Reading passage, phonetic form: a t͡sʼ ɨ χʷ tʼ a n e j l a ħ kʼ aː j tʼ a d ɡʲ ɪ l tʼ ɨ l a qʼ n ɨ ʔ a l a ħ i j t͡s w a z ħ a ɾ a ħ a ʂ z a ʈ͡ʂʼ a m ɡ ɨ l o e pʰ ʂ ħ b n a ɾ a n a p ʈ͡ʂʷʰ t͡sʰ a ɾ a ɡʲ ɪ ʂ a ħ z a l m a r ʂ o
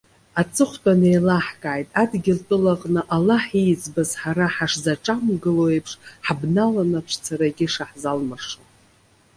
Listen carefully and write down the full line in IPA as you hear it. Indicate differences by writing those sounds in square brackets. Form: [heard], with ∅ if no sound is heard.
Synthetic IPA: a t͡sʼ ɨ χʷ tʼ a n e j l a ħ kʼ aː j tʼ a d ɡʲ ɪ l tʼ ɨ l a qʼ n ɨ ʔ a l a ħ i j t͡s [b] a z ħ a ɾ a ħ a ʂ z a ʈ͡ʂʼ a m ɡ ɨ l o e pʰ ʂ ħ b n a [l] a n a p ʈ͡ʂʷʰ t͡sʰ a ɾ a ɡʲ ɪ ʂ a ħ z a l m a r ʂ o